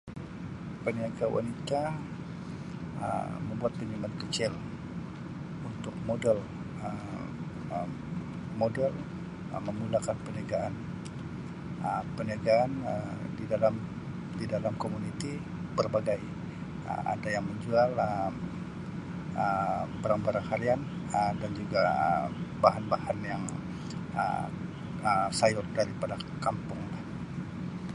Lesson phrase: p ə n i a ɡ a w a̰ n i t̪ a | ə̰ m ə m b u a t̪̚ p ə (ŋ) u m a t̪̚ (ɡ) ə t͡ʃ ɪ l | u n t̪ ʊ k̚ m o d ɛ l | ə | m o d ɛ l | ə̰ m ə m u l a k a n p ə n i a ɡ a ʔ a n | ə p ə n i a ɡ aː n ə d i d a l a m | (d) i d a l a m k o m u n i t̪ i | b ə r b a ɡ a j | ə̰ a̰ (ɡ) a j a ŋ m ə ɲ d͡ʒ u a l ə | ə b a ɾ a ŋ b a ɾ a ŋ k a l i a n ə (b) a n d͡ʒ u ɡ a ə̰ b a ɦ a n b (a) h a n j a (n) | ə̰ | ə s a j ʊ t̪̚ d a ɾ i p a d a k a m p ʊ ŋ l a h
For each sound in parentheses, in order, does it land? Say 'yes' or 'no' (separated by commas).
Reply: no, no, yes, no, no, yes, no